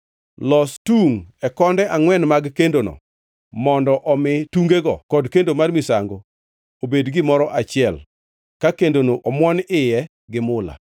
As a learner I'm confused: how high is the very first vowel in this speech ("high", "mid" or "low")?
mid